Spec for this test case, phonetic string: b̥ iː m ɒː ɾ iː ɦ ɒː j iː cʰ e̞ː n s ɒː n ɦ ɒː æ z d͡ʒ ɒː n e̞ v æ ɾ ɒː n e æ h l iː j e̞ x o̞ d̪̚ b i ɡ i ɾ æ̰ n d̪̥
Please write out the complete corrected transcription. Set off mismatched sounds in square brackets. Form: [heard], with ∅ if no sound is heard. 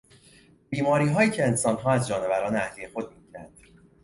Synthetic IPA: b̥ iː m ɒː ɾ iː ɦ ɒː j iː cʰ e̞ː n s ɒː n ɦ ɒː æ z d͡ʒ ɒː n e̞ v æ ɾ ɒː n e æ h l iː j e̞ x o̞ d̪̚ [m] i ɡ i ɾ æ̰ n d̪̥